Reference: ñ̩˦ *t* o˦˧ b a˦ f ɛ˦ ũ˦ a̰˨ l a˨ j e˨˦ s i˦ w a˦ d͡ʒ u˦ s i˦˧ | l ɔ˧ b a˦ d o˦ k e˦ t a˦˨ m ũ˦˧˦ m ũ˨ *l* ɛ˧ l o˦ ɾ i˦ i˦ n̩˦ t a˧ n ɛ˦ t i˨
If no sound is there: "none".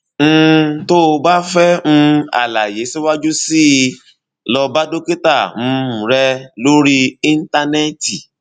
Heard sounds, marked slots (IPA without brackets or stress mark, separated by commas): t, ɾ